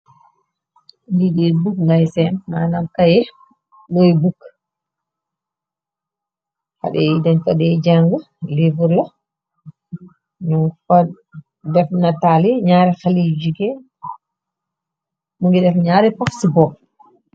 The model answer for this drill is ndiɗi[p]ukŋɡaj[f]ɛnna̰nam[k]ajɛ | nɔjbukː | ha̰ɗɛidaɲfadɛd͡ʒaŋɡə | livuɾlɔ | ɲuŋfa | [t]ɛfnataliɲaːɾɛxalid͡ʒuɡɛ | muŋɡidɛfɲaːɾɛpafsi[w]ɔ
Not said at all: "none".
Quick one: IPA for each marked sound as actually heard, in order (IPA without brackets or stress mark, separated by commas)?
b, s, k, d, b